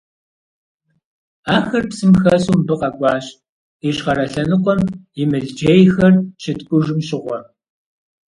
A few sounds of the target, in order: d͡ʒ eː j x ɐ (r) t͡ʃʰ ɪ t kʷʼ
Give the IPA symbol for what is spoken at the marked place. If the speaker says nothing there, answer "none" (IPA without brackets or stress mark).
r